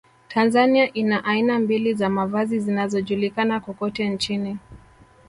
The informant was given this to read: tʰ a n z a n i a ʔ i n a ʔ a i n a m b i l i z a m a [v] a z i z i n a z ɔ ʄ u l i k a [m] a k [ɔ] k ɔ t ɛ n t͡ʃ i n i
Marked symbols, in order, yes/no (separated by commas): yes, no, yes